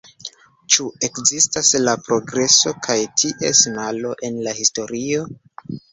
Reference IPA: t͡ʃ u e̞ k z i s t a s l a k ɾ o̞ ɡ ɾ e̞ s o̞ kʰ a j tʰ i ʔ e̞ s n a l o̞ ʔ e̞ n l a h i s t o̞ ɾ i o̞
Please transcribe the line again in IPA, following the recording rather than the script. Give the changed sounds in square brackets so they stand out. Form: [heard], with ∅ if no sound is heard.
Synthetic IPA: t͡ʃ u e̞ k z i s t a s l a [p] ɾ o̞ ɡ ɾ e̞ s o̞ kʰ a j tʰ i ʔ e̞ s n a l o̞ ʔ e̞ n l a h i s t o̞ ɾ i o̞